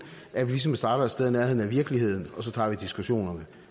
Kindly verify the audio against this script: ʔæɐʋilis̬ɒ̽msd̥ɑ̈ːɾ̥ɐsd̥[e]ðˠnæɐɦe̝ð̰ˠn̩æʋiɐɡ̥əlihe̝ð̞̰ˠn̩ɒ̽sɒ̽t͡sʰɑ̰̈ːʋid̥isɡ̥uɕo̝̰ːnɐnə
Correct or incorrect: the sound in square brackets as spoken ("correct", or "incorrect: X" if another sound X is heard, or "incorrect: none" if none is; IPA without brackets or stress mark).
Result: correct